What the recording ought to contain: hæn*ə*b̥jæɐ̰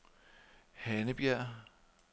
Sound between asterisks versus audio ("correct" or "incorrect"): correct